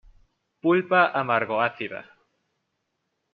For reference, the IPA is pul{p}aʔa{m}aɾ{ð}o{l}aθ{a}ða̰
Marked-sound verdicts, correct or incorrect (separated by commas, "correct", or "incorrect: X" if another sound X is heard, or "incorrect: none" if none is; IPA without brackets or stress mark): correct, correct, incorrect: ɣ, incorrect: none, incorrect: i